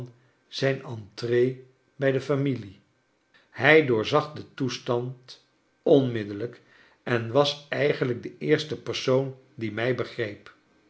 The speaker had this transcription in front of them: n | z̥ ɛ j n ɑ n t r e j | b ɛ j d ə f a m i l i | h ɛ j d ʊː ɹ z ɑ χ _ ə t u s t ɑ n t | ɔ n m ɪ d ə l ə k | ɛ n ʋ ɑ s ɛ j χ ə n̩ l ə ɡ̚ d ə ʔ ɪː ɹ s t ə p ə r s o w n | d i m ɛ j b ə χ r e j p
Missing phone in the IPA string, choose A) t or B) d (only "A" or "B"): B